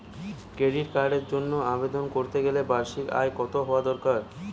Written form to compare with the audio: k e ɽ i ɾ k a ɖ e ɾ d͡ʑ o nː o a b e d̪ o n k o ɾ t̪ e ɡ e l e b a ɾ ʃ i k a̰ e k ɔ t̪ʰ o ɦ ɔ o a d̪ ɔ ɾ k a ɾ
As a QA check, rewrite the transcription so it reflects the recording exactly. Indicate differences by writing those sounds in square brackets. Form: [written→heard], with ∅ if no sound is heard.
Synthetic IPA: k e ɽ i ɾ k a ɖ e ɾ d͡ʑ o nː o a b e d̪ o n k o ɾ t̪ e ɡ e l e b a ɾ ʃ i k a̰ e k ɔ [t̪ʰ→t̪] o ɦ ɔ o a d̪ ɔ ɾ k a ɾ